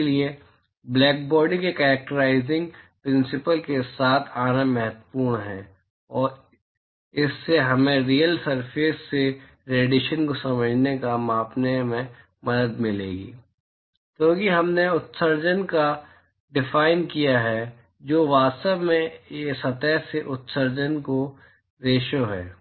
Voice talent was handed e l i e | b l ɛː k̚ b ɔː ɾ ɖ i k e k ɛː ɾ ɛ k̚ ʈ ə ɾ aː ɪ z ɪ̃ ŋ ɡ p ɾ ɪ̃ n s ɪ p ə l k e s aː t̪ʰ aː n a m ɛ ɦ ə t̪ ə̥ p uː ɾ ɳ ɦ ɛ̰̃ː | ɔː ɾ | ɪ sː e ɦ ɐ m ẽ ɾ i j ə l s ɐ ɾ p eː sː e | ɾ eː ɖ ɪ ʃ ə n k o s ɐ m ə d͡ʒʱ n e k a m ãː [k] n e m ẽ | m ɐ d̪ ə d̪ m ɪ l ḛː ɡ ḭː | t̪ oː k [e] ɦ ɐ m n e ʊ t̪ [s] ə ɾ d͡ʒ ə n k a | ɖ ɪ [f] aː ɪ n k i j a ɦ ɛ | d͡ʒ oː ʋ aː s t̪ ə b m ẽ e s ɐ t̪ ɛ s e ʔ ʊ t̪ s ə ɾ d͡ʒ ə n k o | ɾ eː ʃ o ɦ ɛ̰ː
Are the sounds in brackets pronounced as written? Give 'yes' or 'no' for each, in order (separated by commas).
no, no, yes, yes